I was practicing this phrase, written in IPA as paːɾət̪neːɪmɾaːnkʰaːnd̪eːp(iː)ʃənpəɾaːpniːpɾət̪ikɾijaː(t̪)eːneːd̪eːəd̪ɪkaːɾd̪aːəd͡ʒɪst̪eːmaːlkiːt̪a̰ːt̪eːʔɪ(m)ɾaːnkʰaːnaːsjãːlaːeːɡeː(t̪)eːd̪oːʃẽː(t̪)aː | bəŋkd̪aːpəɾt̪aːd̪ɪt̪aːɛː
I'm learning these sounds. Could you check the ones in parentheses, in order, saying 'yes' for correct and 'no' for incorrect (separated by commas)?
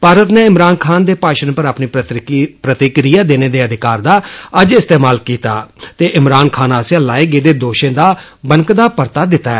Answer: no, no, yes, no, no